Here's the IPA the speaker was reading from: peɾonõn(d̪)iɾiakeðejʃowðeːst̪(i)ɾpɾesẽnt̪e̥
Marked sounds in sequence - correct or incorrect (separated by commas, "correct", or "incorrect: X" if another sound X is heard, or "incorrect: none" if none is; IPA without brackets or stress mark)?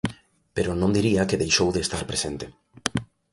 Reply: correct, incorrect: a